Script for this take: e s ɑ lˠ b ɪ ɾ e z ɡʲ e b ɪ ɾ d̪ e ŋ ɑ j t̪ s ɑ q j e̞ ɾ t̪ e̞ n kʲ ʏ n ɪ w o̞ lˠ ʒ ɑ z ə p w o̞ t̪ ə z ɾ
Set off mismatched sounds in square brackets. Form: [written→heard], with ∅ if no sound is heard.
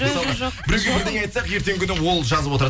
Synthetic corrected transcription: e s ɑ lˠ b ɪ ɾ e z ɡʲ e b ɪ ɾ d̪ e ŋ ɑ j t̪ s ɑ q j e̞ ɾ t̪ e̞ [n→ŋ] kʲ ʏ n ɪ w o̞ lˠ ʒ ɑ z ə p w o̞ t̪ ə [z→∅] ɾ

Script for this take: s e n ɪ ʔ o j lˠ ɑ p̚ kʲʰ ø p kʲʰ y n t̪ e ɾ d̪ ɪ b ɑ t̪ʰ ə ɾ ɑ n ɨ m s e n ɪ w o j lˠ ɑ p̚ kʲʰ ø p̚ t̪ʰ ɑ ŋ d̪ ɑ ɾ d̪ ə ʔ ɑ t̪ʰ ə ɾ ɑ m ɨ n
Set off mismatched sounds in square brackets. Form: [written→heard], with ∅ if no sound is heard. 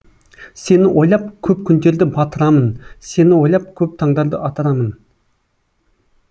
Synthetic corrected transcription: s e n ɪ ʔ o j lˠ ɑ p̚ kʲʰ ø p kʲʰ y n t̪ e ɾ d̪ ɪ b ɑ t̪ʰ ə ɾ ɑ [n→m] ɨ [m→n] s e n ɪ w o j lˠ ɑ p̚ kʲʰ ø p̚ t̪ʰ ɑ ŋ d̪ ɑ ɾ d̪ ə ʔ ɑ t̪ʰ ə ɾ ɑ m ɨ n

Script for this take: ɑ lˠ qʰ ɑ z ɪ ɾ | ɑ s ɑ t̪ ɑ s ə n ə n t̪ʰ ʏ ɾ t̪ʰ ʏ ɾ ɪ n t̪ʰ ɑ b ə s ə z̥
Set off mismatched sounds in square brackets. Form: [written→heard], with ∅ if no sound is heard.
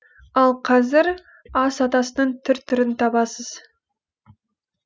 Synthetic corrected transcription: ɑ lˠ qʰ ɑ z ɪ ɾ | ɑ s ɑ t̪ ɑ s ə n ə [n→ɴ] t̪ʰ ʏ ɾ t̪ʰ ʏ ɾ ɪ n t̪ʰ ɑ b [ə→ɑ] s ə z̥

